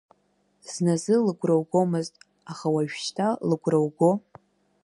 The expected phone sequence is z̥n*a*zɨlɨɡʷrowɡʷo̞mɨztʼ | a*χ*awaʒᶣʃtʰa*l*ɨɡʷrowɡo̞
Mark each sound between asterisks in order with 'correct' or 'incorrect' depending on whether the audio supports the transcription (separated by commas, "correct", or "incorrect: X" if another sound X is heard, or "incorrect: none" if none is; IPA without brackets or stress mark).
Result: correct, correct, correct